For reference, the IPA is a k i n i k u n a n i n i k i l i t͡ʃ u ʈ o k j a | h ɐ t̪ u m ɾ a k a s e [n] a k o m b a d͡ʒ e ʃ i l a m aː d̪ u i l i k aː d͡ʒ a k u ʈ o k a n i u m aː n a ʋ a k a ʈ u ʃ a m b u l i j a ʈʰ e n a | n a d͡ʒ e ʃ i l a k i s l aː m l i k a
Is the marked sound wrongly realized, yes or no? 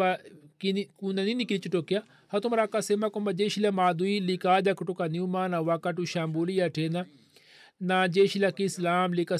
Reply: yes